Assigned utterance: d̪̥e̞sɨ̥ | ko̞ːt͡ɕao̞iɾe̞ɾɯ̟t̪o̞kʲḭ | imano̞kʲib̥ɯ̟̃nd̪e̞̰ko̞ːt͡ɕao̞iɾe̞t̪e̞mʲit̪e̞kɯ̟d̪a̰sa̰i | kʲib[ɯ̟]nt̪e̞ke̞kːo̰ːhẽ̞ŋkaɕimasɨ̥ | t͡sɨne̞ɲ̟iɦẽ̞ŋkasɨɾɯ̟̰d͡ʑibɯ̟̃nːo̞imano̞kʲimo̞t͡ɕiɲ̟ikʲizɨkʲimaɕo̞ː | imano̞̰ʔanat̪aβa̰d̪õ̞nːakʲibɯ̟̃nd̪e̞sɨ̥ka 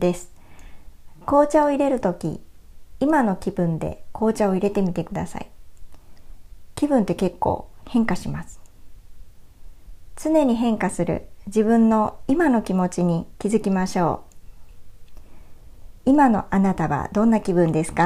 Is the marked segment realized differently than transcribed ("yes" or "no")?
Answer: yes